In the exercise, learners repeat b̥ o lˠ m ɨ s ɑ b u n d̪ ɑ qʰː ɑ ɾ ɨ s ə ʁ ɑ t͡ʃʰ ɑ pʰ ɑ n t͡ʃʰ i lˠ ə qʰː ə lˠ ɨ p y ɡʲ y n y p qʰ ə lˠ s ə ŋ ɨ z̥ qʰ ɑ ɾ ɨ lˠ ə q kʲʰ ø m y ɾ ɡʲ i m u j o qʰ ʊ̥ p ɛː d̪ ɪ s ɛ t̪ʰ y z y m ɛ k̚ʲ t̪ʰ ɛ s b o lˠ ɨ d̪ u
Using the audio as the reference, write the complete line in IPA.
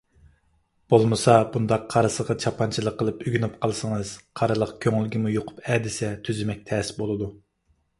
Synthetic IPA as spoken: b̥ o lˠ m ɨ s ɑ b u n d̪ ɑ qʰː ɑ ɾ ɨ s ə ʁ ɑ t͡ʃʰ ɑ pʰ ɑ n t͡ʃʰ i lˠ ə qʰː ə lˠ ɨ p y ɡʲ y n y p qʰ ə lˠ s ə ŋ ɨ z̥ qʰ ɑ ɾ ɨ lˠ ə q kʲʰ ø ŋ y l ɡʲ i m u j o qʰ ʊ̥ p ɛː d̪ ɪ s ɛ t̪ʰ y z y m ɛ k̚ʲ t̪ʰ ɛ s b o lˠ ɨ d̪ u